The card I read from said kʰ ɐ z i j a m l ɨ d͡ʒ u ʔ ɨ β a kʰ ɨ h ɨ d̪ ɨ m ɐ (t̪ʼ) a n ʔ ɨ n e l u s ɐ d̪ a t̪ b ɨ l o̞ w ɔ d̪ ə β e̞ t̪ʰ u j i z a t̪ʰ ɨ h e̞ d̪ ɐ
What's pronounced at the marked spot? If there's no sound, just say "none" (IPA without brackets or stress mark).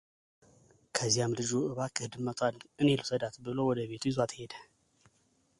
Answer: t̪ʼ